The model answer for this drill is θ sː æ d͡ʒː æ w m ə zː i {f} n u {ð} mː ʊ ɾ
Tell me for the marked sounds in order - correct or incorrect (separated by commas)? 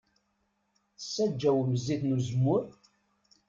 incorrect, incorrect